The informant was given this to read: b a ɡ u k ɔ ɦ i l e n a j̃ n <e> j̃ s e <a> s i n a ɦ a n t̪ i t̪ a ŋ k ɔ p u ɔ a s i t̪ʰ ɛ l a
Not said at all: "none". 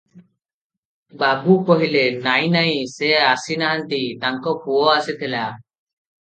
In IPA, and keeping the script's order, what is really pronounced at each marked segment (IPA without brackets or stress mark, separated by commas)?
a, a